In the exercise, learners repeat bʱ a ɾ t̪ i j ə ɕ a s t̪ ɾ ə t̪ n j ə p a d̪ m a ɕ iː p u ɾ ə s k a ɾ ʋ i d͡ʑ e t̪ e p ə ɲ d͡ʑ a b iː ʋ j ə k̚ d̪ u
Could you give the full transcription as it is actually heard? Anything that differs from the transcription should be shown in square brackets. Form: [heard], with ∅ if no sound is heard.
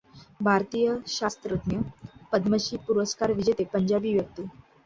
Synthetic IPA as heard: bʱ a ɾ t̪ i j ə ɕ a s t̪ ɾ ə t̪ n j ə p [ə] d̪ m [ə] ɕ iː p u ɾ ə s k a ɾ ʋ i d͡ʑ e t̪ e p ə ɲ d͡ʑ a b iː ʋ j ə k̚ [t̪] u